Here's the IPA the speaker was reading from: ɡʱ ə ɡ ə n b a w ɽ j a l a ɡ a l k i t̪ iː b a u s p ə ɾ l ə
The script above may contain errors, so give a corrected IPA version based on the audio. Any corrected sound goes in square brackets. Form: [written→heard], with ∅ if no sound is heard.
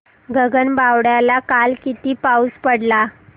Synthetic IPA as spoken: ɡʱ ə ɡ ə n b a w ɽ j a l a [ɡ→k] a l k i t̪ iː [b→p] a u s p ə [ɾ→ɽ] l [ə→a]

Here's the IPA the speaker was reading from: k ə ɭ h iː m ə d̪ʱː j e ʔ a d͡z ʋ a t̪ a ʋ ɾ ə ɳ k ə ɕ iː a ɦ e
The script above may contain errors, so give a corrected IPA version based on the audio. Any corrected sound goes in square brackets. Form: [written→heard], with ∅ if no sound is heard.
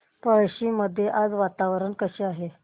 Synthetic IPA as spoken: [k→p] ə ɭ [h→ɕ] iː m ə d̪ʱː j e ʔ a d͡z ʋ a t̪ a ʋ ɾ ə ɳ k ə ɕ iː a ɦ e

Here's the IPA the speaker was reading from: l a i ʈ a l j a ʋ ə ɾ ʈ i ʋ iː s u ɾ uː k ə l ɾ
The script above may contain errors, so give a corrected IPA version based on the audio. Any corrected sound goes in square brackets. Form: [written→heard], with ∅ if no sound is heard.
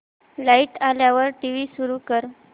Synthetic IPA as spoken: l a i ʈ a l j a ʋ ə ɾ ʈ i ʋ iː s u ɾ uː k ə [l→∅] ɾ

